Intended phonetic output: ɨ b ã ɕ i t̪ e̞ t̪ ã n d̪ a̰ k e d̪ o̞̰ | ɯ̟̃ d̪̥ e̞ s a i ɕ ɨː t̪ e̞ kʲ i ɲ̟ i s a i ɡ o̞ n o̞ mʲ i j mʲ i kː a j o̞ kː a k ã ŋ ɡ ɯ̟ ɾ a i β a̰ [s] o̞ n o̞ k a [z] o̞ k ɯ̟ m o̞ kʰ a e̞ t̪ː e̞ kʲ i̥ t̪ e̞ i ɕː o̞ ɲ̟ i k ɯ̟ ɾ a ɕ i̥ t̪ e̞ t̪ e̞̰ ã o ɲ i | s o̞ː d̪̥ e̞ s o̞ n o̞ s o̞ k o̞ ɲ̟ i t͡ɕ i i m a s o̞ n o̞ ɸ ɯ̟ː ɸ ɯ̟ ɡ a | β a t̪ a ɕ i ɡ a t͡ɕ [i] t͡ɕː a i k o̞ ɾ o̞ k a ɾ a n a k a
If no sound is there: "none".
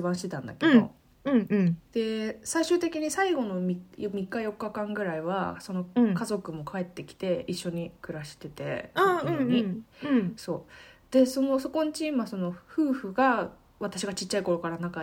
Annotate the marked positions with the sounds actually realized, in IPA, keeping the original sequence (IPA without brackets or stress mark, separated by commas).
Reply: s, z, i